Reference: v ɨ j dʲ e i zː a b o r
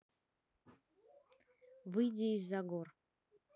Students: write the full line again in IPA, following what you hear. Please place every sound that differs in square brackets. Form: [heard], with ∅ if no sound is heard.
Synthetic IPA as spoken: v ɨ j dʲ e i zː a [ɡ] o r